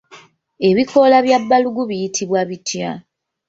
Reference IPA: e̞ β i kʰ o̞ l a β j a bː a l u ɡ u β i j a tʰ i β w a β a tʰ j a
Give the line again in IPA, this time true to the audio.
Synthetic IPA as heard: e̞ β i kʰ o̞ l a β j a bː a l u ɡ u β i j i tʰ i β w a β i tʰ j a